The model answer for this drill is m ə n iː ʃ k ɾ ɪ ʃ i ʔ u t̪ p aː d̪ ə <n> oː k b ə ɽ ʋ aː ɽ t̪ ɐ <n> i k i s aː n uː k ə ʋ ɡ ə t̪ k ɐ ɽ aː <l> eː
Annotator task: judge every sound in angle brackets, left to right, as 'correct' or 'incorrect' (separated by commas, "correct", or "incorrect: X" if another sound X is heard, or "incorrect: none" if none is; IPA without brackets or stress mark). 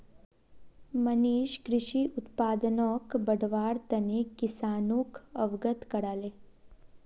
correct, correct, correct